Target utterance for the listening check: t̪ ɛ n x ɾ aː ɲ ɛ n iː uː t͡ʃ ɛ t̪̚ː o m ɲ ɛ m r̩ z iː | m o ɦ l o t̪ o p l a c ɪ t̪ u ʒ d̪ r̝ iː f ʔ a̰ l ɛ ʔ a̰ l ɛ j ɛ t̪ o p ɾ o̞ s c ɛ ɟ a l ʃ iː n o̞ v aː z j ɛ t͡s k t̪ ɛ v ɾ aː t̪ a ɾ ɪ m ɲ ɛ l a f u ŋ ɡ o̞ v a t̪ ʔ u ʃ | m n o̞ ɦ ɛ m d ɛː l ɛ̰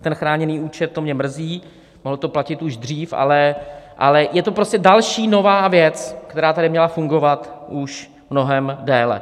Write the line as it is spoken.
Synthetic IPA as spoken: t̪ ɛ n x ɾ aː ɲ ɛ n iː uː t͡ʃ ɛ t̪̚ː o m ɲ ɛ m r̩ z iː | m o ɦ l o t̪ o p l a c ɪ t̪ u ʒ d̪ r̝ iː f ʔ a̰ l ɛ ʔ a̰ l ɛ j ɛ t̪ o p ɾ o̞ s c ɛ d a l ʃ iː n o̞ v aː v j ɛ t͡s k t̪ ɛ ɾ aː t̪ a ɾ ɪ m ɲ ɛ l a f u ŋ ɡ o̞ v a t̪ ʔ u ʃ | m n o̞ ɦ ɛ m d ɛː l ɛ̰